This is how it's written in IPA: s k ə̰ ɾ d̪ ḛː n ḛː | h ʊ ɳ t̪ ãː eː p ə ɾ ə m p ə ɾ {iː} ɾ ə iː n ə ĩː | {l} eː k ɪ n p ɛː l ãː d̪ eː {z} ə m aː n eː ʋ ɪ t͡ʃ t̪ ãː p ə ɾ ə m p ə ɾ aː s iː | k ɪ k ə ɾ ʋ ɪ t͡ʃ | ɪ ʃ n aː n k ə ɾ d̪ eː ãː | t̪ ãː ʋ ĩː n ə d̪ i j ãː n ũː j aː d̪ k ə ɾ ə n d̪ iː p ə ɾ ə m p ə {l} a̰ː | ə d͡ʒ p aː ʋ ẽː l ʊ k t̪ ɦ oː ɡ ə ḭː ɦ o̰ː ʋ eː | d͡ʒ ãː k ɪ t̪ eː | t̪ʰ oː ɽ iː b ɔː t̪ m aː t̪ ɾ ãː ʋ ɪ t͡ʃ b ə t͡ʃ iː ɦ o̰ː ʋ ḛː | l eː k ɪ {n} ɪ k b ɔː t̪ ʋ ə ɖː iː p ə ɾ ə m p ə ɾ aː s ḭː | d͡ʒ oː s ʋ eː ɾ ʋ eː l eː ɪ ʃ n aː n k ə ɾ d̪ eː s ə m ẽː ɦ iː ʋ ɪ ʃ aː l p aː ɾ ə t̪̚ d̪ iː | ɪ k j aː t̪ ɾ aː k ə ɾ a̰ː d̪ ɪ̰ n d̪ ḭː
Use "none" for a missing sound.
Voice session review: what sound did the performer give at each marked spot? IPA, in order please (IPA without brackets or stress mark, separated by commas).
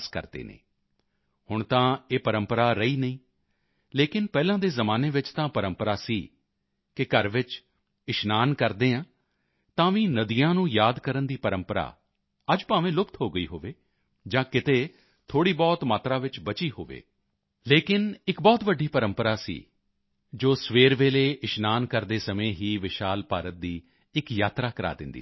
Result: aː, l, z, ɾ, n